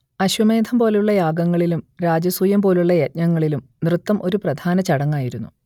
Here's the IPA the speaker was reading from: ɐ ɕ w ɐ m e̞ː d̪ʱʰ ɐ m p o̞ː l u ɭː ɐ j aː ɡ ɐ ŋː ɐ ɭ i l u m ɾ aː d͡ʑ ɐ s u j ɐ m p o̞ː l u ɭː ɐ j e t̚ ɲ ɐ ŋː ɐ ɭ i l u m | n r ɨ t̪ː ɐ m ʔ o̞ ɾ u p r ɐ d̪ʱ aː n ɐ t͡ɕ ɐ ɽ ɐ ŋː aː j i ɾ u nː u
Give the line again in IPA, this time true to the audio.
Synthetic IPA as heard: ɐ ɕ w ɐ m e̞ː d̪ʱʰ ɐ m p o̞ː l u ɭː ɐ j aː ɡ ɐ ŋː ɐ ɭ i l u m ɾ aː d͡ʑ ɐ s u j ɐ m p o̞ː l u ɭː ɐ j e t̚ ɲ ɐ ŋː ɐ ɭ i l u m | n r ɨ t̪ː ɐ m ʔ o̞ ɾ u p r ɐ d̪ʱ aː n ɐ t͡ɕ ɐ ɽ ɐ ŋː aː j i ɾ u nː u